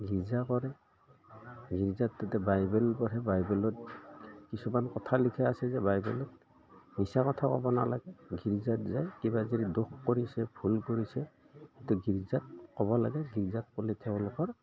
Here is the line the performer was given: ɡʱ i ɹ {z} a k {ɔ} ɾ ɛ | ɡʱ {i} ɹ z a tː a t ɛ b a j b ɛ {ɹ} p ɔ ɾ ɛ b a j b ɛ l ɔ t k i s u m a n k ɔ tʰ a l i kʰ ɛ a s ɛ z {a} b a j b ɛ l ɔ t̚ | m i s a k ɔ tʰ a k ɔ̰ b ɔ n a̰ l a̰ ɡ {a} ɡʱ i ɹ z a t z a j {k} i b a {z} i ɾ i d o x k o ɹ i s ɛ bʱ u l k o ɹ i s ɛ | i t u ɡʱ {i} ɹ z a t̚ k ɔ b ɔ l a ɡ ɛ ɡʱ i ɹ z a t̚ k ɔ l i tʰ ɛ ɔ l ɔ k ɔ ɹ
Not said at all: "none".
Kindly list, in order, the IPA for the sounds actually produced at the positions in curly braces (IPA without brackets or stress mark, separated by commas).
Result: z, ɔ, i, l, ɛ, ɛ, k, z, i